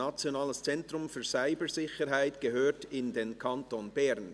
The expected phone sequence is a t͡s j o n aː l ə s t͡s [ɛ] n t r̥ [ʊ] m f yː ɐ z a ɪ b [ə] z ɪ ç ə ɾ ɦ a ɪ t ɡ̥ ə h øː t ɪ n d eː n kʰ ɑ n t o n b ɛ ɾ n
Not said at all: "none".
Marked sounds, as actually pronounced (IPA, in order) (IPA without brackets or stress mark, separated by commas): ɛ, ʊ, ə